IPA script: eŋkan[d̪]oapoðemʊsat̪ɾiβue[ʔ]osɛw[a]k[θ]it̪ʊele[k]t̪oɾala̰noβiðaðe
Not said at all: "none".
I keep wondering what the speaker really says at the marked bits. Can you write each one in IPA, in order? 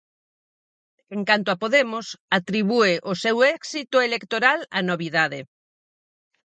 t̪, ʔ, ɛ, s, k

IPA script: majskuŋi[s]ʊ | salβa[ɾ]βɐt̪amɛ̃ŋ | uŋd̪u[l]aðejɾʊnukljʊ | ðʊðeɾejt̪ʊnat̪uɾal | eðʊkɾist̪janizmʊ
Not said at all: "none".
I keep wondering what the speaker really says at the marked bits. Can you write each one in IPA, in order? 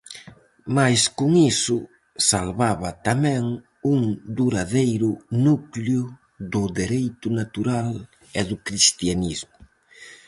s, none, ɾ

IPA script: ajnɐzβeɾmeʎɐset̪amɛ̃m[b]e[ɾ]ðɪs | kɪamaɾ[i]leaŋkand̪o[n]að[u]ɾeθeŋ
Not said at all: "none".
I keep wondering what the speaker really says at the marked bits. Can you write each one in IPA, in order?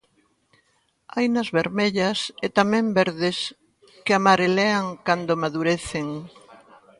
b, ɾ, e, m, u

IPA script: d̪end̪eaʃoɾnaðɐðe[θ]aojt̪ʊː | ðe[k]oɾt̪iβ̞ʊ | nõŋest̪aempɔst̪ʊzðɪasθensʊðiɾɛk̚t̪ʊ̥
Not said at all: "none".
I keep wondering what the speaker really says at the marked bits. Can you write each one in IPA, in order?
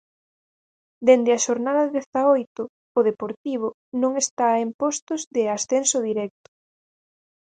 θ, p

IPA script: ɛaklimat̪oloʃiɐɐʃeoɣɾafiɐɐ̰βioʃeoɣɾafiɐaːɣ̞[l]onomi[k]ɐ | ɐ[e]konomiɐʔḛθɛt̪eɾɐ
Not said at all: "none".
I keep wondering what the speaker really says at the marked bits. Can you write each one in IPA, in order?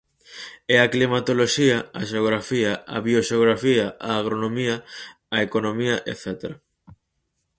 ɾ, none, e

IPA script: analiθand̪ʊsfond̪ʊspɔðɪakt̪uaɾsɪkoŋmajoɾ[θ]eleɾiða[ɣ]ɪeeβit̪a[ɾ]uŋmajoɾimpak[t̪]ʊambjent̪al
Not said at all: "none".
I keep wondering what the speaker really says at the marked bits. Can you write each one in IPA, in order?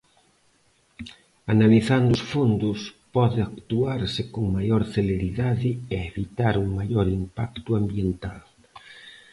θ, ð, ɾ, t̪

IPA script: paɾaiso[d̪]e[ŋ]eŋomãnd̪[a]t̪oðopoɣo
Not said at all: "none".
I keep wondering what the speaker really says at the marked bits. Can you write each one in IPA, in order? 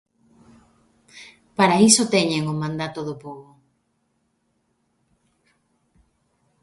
t̪, ɲ, a

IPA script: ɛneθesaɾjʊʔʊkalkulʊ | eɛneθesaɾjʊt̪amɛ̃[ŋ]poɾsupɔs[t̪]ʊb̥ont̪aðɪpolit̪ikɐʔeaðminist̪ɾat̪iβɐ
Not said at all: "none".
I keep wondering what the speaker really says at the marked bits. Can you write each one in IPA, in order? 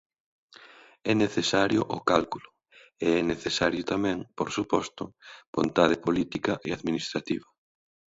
ŋ, t̪

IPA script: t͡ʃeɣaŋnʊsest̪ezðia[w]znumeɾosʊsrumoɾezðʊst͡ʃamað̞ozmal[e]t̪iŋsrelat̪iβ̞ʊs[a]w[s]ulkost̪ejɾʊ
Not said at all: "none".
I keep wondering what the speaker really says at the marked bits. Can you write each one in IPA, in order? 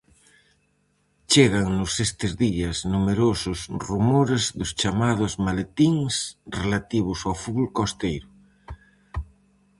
none, e, a, f

